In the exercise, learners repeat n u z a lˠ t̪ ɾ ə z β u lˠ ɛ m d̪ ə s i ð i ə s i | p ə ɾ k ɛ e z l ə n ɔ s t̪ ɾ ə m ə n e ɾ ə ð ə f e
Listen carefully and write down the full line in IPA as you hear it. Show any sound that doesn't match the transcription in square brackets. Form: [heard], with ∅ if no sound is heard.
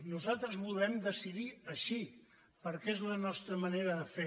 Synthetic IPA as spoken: n u z a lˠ t̪ ɾ ə z β u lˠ ɛ m d̪ ə s i ð i ə [ʃ] i | p ə ɾ k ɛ e z l ə n ɔ s t̪ ɾ ə m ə n e ɾ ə ð ə f e